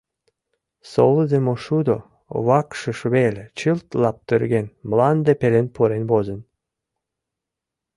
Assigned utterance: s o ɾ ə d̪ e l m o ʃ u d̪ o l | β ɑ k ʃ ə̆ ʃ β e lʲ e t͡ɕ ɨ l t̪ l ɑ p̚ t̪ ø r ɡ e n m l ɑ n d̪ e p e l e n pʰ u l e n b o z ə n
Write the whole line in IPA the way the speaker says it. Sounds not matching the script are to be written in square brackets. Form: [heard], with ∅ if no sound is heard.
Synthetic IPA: s o [l] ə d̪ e [∅] m o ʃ u d̪ o [∅] | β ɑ k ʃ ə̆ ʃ β e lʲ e t͡ɕ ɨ l t̪ l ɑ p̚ t̪ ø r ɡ e n m l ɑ n d̪ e p e l e n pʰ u [ɾ] e n b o z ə n